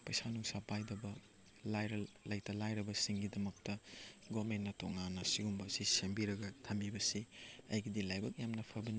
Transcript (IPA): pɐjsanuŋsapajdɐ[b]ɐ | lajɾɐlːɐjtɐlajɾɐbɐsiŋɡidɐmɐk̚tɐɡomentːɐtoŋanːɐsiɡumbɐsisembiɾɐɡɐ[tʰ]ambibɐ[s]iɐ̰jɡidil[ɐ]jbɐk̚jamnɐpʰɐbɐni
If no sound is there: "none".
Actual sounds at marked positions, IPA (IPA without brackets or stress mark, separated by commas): b, tʰ, s, a